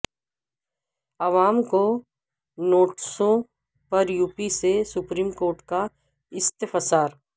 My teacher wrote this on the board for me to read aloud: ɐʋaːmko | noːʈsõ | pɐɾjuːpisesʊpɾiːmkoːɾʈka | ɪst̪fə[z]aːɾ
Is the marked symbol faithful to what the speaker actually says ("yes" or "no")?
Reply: no